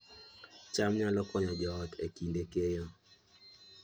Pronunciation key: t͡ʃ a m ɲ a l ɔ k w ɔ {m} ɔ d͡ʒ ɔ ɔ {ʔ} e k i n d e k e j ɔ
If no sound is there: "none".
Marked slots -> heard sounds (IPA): ɲ, t

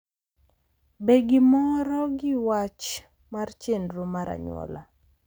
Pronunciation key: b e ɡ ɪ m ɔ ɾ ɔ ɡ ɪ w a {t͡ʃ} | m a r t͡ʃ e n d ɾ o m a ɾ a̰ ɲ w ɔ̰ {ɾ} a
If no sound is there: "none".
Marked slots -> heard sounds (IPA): t͡ʃ, l

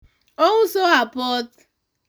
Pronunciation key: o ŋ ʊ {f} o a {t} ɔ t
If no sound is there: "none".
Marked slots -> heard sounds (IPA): s, p

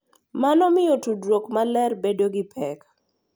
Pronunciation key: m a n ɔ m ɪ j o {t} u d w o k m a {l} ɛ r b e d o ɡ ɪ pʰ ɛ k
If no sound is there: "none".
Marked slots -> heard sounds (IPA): t, l

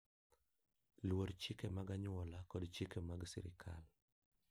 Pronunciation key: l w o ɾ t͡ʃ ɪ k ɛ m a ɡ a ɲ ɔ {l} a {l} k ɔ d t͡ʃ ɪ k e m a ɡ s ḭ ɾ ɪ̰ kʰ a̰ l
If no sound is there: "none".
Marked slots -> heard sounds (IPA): l, none

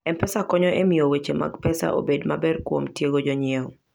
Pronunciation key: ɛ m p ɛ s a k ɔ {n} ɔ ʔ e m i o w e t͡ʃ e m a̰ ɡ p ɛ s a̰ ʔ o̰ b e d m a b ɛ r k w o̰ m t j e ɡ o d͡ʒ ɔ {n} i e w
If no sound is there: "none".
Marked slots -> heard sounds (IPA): ɲ, ɲ

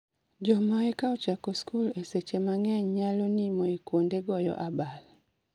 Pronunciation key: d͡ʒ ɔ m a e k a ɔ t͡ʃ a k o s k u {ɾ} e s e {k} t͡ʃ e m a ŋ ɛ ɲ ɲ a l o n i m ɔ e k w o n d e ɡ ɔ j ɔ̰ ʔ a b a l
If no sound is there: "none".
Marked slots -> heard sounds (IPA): l, none

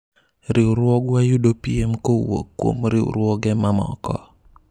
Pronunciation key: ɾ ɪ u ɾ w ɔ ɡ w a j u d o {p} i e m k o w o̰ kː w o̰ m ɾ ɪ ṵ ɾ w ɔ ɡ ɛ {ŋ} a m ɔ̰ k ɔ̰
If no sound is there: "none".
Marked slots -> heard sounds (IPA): p, m

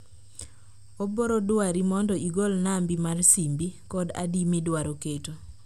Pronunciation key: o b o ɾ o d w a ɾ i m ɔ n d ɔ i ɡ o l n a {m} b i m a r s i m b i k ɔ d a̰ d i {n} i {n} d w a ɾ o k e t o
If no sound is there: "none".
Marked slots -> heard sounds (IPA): m, m, none

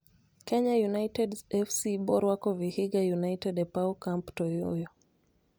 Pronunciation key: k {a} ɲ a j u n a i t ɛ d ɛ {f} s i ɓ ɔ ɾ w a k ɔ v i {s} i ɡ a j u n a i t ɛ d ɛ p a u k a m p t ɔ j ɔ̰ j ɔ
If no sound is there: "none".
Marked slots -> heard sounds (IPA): ɛ, f, h

